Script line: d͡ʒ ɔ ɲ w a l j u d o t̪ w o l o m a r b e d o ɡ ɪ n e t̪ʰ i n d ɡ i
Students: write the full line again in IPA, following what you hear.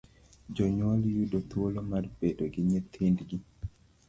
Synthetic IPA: d͡ʒ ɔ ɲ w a l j u d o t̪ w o l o m a r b e d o ɡ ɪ ɲ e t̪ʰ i n d ɡ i

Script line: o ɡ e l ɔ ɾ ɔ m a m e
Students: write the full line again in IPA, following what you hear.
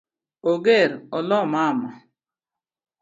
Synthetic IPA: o ɡ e ɾ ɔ l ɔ m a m a

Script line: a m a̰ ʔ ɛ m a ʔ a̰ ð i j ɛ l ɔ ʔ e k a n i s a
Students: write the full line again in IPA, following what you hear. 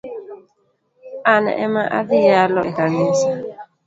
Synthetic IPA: a n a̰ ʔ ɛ m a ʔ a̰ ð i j a l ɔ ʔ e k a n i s a

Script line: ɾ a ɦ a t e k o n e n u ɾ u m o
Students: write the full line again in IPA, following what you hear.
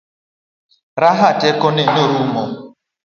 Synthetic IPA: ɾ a ɦ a t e k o n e n o ɾ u m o

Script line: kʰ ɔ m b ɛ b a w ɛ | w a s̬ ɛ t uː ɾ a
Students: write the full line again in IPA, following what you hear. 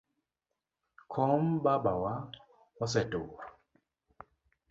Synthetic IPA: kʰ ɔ m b a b a w a | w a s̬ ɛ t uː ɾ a

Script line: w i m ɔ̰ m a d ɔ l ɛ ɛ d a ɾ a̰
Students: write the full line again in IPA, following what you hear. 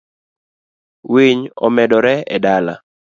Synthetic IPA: w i ɲ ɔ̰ m ɛ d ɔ ɾ ɛ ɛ d a l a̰

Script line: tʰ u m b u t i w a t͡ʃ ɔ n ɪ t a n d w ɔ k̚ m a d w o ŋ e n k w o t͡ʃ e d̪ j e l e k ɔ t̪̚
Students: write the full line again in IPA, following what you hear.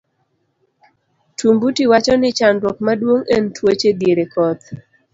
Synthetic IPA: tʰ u m b u t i w a t͡ʃ ɔ n ɪ t͡ʃ a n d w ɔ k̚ m a d w o ŋ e n t w o t͡ʃ e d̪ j e ɾ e k ɔ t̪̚

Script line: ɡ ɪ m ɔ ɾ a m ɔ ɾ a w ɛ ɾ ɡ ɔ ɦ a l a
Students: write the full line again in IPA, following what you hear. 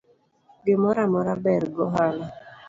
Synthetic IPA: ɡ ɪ m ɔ ɾ a m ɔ ɾ a b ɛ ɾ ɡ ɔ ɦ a l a

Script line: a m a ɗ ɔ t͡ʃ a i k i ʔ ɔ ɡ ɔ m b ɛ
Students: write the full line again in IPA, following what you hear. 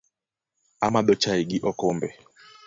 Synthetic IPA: a m a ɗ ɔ t͡ʃ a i ɡ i ʔ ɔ k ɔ m b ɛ

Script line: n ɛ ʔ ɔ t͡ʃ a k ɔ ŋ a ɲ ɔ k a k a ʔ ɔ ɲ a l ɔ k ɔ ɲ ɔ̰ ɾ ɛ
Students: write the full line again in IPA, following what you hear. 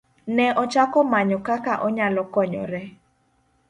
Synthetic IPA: n ɛ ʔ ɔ t͡ʃ a k ɔ m a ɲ ɔ k a k a ʔ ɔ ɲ a l ɔ k ɔ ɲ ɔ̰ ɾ ɛ

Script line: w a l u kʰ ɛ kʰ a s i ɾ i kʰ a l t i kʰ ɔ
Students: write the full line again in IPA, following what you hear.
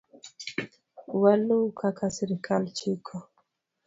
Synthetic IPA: w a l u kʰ a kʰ a s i ɾ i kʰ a l t͡ʃ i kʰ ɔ

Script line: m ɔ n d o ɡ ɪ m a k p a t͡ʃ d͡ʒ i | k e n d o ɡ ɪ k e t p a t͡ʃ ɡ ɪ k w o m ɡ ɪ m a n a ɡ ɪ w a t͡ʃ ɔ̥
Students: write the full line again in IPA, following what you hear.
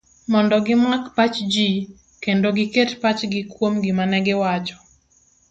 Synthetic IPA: m ɔ n d ɔ ɡ ɪ m a k p a t͡ʃ d͡ʒ i | k e n d o ɡ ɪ k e t p a t͡ʃ ɡ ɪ k w o m ɡ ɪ m a n ɛ ɡ ɪ w a t͡ʃ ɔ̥

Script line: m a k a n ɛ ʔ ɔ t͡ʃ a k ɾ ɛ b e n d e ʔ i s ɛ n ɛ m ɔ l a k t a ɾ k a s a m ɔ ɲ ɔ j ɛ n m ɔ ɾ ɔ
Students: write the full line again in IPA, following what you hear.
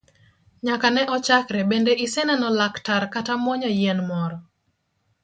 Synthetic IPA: ɲ a k a n ɛ ʔ ɔ t͡ʃ a k ɾ ɛ b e n d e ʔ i s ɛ n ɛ n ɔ l a k t a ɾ k a t a m ɔ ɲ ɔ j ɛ n m ɔ ɾ ɔ

